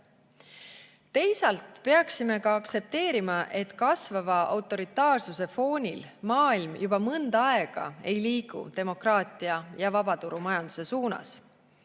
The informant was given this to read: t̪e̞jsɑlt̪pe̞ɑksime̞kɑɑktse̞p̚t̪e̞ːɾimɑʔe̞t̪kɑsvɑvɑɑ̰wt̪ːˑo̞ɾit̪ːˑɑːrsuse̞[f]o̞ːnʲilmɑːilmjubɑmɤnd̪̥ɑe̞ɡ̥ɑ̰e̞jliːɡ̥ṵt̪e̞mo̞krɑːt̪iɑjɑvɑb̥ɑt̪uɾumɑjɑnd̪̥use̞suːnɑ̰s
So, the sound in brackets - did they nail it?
yes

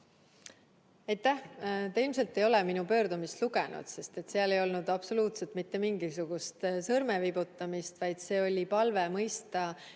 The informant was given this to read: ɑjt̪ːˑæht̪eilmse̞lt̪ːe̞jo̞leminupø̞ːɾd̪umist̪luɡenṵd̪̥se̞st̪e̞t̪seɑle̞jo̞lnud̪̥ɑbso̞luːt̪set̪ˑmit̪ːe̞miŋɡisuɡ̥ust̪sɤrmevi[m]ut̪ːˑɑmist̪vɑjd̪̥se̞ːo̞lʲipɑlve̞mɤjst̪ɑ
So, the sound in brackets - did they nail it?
no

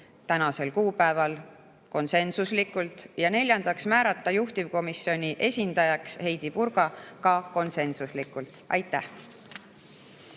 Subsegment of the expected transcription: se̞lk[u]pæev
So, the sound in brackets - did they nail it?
no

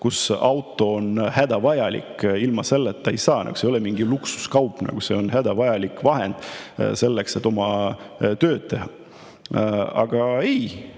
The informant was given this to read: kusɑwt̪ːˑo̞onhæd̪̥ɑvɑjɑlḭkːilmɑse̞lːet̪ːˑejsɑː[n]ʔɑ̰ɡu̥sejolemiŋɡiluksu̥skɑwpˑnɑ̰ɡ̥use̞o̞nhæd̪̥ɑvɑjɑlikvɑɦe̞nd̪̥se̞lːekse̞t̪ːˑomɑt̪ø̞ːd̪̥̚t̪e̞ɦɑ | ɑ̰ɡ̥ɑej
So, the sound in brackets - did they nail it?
yes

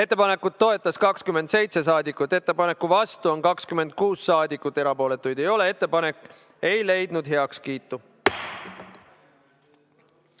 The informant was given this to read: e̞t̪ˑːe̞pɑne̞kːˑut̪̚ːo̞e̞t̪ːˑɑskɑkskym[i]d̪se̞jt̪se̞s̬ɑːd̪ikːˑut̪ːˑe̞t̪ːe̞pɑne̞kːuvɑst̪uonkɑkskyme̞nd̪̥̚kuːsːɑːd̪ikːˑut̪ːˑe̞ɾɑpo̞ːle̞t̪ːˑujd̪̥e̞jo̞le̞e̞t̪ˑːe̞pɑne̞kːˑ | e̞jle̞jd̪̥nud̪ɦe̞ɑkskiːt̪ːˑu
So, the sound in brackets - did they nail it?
no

